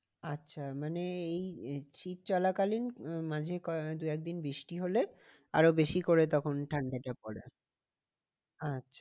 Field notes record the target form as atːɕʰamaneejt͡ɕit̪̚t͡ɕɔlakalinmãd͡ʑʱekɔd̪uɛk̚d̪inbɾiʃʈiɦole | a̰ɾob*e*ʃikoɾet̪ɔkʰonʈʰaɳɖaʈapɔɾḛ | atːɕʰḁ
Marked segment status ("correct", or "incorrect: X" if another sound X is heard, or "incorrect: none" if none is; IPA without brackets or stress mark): correct